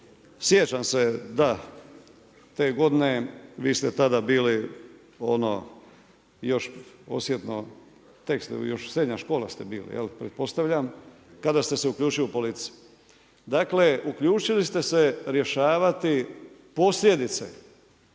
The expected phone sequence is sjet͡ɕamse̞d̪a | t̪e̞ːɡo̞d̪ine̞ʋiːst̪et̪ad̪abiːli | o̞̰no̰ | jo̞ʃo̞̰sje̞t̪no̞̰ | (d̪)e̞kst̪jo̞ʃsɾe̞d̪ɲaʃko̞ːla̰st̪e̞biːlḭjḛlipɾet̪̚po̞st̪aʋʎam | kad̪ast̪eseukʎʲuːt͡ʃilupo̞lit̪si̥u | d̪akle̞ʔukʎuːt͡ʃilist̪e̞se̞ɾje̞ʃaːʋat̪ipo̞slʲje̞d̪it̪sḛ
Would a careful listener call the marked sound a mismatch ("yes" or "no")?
yes